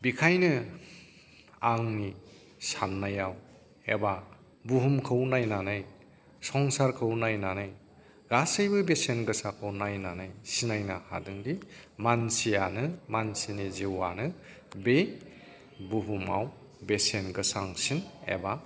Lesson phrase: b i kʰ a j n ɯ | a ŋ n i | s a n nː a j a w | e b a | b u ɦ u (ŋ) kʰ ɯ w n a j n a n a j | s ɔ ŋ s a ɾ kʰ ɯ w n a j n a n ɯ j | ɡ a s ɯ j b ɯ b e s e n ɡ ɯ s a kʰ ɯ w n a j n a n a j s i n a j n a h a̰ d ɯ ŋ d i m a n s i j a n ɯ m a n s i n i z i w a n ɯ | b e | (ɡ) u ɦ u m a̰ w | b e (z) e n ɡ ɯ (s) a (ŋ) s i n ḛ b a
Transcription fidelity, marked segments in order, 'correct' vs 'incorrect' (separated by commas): incorrect, incorrect, incorrect, correct, correct